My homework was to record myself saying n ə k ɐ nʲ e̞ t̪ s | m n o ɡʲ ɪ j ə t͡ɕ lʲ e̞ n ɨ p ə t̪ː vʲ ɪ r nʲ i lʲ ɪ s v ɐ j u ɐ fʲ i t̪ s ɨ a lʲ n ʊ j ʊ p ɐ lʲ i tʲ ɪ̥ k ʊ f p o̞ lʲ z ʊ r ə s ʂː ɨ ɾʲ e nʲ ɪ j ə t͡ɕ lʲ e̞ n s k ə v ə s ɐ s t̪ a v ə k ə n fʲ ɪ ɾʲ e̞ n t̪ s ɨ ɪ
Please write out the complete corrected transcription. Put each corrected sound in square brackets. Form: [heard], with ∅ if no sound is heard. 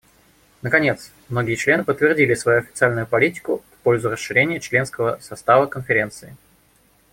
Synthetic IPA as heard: n ə k ɐ nʲ e̞ t̪ s | m n o ɡʲ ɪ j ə t͡ɕ lʲ e̞ n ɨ p ə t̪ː vʲ ɪ r [dʲ] i lʲ ɪ s v ɐ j u ɐ fʲ [ɪ] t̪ s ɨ a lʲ n ʊ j ʊ p ɐ lʲ i tʲ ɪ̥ k ʊ f p o̞ lʲ z ʊ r ə s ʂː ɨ ɾʲ e nʲ ɪ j ə t͡ɕ lʲ e̞ n s k ə v ə s ɐ s t̪ a v ə k ə n fʲ ɪ ɾʲ e̞ n t̪ s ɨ ɪ

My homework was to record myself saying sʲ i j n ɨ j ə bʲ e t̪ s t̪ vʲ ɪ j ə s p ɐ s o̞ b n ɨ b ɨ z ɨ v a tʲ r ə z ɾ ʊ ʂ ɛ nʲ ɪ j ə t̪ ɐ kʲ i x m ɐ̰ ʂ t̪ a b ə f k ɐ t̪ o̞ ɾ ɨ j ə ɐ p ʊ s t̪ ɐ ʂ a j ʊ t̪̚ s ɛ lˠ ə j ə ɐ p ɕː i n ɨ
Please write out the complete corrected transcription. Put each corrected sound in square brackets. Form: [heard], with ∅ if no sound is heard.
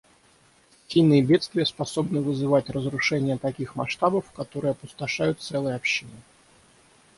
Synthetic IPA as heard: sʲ i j n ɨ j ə bʲ e t̪ s t̪ vʲ ɪ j ə s p ɐ s o̞ b n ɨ [v] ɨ z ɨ v a tʲ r ə z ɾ ʊ ʂ ɛ nʲ ɪ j ə t̪ ɐ kʲ i x m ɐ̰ ʂ t̪ a b ə f k ɐ t̪ o̞ ɾ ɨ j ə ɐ p ʊ s t̪ ɐ ʂ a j ʊ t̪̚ s ɛ lˠ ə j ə ɐ p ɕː i n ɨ

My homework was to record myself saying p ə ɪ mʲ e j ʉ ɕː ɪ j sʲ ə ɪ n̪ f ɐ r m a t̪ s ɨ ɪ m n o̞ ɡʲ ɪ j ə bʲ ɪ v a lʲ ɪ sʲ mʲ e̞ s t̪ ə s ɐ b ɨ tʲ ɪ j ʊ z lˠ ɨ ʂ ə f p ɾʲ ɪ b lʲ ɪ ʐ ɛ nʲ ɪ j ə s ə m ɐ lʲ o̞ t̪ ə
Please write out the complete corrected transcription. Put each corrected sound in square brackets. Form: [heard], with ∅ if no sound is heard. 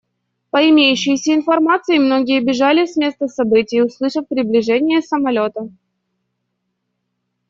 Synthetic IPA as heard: p ə ɪ mʲ e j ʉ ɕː ɪ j sʲ ə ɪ n̪ f ɐ r m a t̪ s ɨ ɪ m n o̞ ɡʲ ɪ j ə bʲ ɪ [ʐ] a lʲ ɪ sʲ mʲ e̞ s t̪ ə s ɐ b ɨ tʲ ɪ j ʊ [s] lˠ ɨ ʂ ə f p ɾʲ ɪ b lʲ ɪ ʐ ɛ nʲ ɪ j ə s ə m ɐ lʲ o̞ t̪ ə

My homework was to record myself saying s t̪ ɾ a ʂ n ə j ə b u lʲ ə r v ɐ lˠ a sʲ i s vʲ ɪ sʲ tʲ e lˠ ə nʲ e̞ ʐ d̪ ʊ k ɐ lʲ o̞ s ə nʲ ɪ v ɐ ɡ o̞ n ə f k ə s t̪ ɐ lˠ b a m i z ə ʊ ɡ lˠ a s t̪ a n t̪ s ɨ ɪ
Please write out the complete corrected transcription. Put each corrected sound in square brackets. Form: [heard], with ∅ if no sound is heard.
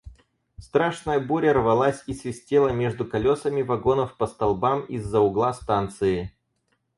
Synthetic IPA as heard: s t̪ ɾ a ʂ n ə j ə b u [ɾʲ] ə r v ɐ lˠ a sʲ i s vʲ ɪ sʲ tʲ e lˠ ə [mʲ] e̞ ʐ d̪ ʊ k ɐ lʲ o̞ s ə [mʲ] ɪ v ɐ ɡ o̞ n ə f [p] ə s t̪ ɐ lˠ b a m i [zː] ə ʊ ɡ lˠ a s t̪ a n t̪ s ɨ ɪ

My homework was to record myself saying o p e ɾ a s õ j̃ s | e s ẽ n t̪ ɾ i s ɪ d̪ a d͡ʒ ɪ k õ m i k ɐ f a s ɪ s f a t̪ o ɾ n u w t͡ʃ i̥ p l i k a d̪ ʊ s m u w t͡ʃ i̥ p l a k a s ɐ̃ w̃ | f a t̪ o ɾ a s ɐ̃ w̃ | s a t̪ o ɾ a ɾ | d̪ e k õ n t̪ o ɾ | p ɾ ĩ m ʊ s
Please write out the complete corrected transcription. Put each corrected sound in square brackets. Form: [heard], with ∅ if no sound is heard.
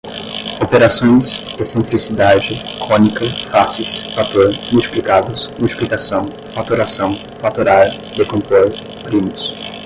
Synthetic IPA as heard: o p e ɾ a s õ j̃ s | e s ẽ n t̪ ɾ i s [i] d̪ a d͡ʒ ɪ k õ [n] i k ɐ f a s ɪ s f a t̪ o ɾ [m] u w t͡ʃ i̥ p l i k a d̪ ʊ s m u w t͡ʃ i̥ p l [i] k a s ɐ̃ w̃ | f a t̪ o ɾ a s ɐ̃ w̃ | [f] a t̪ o ɾ a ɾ | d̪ e k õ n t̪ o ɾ | p ɾ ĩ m ʊ s

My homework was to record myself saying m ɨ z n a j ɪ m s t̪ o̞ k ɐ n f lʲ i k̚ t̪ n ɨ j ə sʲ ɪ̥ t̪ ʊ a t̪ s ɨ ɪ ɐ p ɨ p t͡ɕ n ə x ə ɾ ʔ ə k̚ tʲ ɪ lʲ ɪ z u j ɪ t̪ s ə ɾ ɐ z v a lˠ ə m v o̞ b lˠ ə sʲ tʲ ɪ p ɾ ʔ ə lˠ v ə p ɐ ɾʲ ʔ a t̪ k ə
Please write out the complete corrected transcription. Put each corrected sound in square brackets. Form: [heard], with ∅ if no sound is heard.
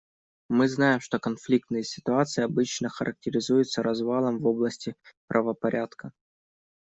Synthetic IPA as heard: m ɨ z n a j ɪ m [ʂ] t̪ o̞ k ɐ n f lʲ i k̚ t̪ n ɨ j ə sʲ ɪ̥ t̪ ʊ a t̪ s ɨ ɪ ɐ [b] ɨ [∅] t͡ɕ n ə x ə ɾ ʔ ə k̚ tʲ ɪ [ɾʲ] ɪ z u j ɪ t̪ s ə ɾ ɐ z v a lˠ ə m v o̞ b lˠ ə sʲ tʲ ɪ p ɾ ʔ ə [∅] v ə p ɐ ɾʲ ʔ a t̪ k ə

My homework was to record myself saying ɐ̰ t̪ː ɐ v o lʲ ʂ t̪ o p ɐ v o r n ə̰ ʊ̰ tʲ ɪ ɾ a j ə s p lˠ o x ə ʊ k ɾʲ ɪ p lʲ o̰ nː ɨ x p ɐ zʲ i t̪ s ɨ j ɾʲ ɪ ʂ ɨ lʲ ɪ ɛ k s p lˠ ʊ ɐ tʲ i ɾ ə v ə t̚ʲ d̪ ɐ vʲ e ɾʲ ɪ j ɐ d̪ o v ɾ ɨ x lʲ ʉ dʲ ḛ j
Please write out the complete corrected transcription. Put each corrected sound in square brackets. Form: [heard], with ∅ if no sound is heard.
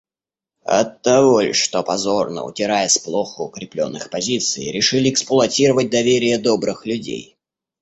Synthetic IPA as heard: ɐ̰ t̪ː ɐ v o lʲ ʂ t̪ o p ɐ [z] o r n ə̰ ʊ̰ tʲ ɪ ɾ a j ə s p lˠ o x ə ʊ k ɾʲ ɪ p lʲ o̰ nː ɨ x p ɐ zʲ i t̪ s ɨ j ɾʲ ɪ ʂ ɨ lʲ ɪ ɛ k s p lˠ ʊ ɐ tʲ i ɾ ə v ə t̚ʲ d̪ ɐ vʲ e ɾʲ ɪ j [ə] d̪ o [b] ɾ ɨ x lʲ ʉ dʲ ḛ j

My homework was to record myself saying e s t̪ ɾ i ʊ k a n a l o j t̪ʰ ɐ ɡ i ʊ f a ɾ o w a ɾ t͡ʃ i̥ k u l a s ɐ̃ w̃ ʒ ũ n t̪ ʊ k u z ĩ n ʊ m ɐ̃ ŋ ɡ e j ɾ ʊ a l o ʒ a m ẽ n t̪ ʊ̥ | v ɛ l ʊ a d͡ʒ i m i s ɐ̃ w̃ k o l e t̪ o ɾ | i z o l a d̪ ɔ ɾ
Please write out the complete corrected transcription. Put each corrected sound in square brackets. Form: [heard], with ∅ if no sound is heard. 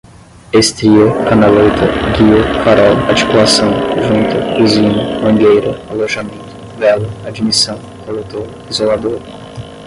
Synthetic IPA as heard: e s t̪ ɾ i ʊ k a n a l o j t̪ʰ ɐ ɡ i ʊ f a ɾ [ɔ] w a ɾ t͡ʃ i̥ k u l a s ɐ̃ w̃ ʒ ũ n t̪ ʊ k u z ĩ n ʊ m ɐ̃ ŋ ɡ e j ɾ ʊ a l o ʒ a m ẽ n t̪ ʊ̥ | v ɛ l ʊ a d͡ʒ i m i s ɐ̃ w̃ k o l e t̪ o ɾ | i z o l a d̪ [o] ɾ

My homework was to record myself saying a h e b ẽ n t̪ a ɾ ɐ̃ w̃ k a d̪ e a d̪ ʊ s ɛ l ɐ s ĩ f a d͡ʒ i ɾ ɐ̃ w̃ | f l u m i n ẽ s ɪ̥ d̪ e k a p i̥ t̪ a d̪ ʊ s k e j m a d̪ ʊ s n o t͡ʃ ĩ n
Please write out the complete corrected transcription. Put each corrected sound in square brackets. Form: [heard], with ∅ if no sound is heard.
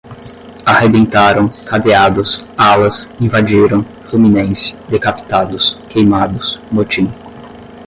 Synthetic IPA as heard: a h e b ẽ n t̪ a ɾ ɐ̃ w̃ k a d̪ e a d̪ ʊ s [a] l ɐ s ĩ [v] a d͡ʒ i ɾ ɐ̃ w̃ | f l u m i n ẽ s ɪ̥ d̪ e k a p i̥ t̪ a d̪ ʊ s k e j m a d̪ ʊ s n o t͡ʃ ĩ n

